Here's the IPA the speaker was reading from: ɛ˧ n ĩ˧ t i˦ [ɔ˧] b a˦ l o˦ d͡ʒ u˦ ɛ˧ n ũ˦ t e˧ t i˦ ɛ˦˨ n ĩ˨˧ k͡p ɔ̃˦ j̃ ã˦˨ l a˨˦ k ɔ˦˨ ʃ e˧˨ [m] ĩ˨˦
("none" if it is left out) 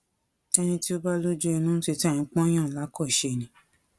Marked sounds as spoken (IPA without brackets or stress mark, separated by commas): o˧, n